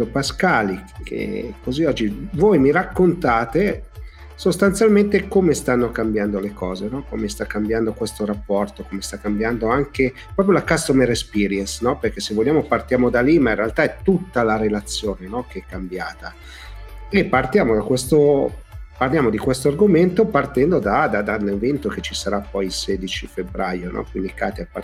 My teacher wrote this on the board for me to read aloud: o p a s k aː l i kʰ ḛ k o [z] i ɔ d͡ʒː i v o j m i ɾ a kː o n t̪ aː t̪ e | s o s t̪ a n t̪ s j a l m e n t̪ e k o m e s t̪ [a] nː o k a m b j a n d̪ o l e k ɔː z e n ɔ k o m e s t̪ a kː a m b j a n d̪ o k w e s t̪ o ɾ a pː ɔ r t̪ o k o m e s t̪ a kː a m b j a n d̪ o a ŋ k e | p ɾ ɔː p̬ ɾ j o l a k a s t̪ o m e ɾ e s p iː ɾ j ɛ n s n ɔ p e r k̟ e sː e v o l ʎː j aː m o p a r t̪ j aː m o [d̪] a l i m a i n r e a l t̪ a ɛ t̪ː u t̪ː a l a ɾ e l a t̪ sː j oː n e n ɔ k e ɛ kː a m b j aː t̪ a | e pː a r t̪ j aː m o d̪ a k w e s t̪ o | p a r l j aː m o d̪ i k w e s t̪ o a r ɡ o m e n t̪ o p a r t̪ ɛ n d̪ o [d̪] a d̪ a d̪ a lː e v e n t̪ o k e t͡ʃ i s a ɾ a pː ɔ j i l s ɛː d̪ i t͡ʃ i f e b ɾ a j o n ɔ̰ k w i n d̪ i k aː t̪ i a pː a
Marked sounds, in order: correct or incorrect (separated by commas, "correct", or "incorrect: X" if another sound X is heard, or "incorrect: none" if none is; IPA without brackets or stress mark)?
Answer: correct, correct, correct, correct